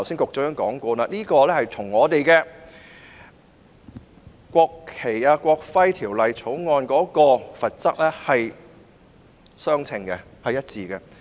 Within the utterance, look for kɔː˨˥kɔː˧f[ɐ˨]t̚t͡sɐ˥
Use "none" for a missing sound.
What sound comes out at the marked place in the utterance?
ɐ˨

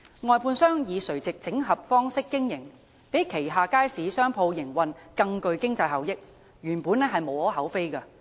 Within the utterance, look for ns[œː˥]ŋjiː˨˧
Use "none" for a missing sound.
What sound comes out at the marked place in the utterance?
œː˥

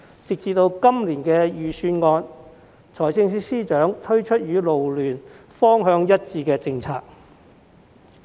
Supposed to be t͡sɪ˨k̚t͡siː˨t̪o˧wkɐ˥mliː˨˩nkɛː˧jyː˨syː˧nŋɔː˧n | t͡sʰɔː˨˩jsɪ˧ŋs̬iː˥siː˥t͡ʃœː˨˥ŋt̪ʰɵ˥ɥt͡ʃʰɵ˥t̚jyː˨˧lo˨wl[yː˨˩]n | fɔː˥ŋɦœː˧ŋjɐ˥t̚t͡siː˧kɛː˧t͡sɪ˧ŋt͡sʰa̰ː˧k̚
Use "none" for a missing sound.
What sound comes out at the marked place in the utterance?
yː˨˩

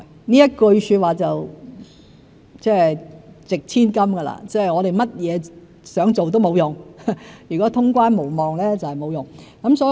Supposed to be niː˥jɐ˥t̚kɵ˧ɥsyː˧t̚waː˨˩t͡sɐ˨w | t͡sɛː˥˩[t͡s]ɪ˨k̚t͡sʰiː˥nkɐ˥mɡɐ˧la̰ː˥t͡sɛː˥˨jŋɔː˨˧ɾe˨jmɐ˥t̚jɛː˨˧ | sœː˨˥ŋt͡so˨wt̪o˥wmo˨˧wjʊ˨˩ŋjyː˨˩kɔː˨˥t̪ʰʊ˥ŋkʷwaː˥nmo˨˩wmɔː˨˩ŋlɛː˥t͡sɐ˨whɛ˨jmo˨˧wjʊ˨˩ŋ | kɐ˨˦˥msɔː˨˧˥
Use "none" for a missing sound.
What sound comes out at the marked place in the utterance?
t͡s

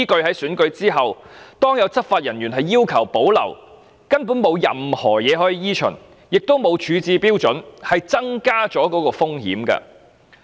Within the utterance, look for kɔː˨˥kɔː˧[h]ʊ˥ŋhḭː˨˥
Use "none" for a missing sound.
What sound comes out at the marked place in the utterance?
f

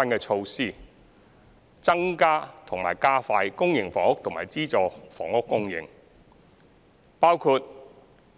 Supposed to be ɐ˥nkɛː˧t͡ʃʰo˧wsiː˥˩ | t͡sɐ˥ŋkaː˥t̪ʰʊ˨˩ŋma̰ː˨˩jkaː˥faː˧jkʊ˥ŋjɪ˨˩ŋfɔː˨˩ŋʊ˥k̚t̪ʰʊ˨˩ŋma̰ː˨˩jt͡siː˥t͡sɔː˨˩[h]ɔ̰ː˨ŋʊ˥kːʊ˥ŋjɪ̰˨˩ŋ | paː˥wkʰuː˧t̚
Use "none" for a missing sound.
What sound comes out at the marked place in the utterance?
f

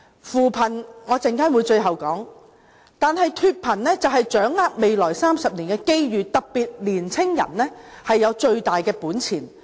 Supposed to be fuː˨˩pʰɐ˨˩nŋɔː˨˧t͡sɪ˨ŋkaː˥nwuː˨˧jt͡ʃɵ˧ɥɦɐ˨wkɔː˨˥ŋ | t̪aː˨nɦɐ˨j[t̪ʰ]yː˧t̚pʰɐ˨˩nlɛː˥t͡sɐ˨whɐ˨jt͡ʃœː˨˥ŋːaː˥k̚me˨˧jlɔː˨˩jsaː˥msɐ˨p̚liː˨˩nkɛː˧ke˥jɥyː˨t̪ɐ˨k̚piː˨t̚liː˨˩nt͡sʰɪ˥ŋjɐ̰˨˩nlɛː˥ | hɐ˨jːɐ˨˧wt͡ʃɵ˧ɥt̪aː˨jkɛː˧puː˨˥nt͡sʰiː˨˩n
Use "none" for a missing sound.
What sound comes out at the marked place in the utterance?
t̪ʰ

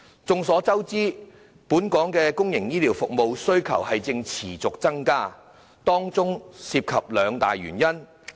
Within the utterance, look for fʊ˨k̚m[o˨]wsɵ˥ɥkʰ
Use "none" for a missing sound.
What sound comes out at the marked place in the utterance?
o˨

